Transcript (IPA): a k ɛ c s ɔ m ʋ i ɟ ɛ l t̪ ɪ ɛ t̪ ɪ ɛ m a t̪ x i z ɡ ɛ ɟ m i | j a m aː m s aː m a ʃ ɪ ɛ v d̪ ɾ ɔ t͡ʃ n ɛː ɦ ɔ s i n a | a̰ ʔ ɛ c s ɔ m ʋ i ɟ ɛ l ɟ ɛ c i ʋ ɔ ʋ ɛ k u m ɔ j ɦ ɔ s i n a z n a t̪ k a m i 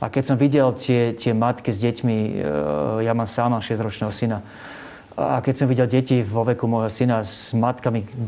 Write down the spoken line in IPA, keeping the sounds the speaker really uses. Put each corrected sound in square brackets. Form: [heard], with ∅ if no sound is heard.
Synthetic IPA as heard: a k ɛ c s ɔ m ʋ i ɟ ɛ l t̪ ɪ ɛ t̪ ɪ ɛ m a t̪ [k] i z [ɟ] ɛ [c] m i | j a m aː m s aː m a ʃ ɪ ɛ [z] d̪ ɾ ɔ t͡ʃ n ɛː ɦ ɔ s i n a | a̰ [k] ɛ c s ɔ m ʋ i ɟ ɛ l ɟ ɛ c i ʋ ɔ ʋ ɛ k u m ɔ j ɦ ɔ s i n a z [m] a t̪ k a m i